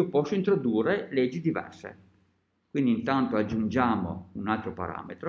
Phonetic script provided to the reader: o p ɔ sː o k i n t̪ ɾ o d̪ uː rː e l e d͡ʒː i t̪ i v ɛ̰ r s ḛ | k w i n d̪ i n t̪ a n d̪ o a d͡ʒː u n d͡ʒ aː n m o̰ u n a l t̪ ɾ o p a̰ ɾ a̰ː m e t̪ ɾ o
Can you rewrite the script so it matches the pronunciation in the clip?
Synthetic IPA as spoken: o p ɔ sː o i n t̪ ɾ o d̪ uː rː e l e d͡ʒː i d̪ i v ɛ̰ r s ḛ | k w i n d̪ i n t̪ a n t̪ o a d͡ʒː u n d͡ʒ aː m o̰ u n a l t̪ ɾ o p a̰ ɾ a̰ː m e t̪ ɾ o